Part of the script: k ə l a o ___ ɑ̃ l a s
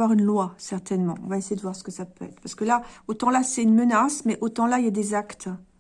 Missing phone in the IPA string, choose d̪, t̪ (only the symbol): t̪